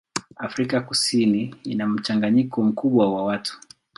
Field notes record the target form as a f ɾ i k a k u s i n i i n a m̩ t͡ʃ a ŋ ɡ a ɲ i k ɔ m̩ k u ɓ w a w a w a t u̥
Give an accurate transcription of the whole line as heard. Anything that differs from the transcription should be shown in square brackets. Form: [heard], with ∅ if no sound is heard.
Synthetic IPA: a f ɾ i k a k u s i n i i n a m̩ t͡ʃ a ŋ ɡ a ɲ i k ɔ m̩ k u ɓ w a w a w a t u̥